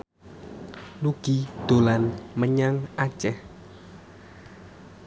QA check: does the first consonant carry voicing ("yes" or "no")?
yes